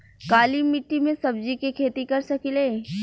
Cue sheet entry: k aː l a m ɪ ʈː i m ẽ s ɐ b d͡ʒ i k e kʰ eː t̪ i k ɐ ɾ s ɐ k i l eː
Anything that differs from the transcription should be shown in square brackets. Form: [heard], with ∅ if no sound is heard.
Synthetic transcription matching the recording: k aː l [i] m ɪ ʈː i m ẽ s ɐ b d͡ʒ i k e kʰ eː t̪ i k ɐ ɾ s ɐ k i l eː

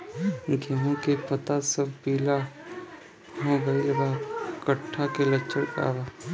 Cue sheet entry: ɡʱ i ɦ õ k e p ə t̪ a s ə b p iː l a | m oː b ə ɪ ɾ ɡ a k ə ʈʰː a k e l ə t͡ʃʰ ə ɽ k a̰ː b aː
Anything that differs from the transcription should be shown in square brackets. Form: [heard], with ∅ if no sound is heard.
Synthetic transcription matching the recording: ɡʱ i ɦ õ k e p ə t̪ a s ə b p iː l a | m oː b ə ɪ [l] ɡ a k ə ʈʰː a k e l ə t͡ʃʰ ə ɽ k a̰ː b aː

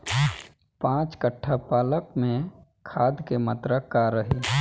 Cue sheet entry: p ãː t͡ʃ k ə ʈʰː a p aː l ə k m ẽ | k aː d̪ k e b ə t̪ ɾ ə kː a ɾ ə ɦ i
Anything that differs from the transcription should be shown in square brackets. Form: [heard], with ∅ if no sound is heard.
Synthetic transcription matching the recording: p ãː t͡ʃ k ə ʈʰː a p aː l ə k m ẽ | [kʰ] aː d̪ k e [m] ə t̪ ɾ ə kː a ɾ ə ɦ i

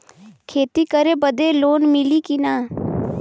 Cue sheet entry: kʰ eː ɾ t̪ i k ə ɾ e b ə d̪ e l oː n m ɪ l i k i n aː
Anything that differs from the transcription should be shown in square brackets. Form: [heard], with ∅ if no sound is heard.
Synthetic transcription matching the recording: kʰ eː [∅] t̪ i k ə ɾ e b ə d̪ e l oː n m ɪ l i k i n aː

